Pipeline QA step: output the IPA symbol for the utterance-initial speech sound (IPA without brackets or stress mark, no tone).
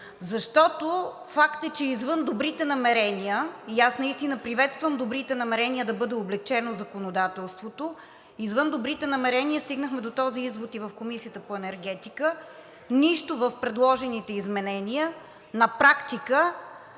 z